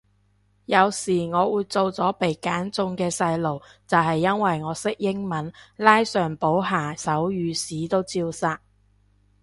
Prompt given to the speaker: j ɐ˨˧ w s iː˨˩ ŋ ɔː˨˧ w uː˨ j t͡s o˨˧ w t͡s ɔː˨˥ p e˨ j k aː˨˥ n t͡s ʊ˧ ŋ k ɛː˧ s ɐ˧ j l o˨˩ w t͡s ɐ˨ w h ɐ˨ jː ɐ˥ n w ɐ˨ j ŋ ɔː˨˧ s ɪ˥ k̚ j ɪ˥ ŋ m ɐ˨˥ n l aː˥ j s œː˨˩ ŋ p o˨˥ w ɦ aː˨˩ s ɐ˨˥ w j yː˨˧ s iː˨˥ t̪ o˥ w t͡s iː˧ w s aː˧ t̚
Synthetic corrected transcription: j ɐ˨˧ w s iː˨˩ ŋ ɔː˨˧ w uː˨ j t͡s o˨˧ w t͡s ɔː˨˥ p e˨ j k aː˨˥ n t͡s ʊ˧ ŋ k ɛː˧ s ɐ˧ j l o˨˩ w t͡s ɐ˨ w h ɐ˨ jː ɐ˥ n w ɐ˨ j ŋ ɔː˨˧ s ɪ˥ k̚ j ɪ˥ ŋ m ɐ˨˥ n l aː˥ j s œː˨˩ ŋ p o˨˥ w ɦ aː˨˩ s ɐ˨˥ w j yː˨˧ s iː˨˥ t̪ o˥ w t͡s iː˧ w s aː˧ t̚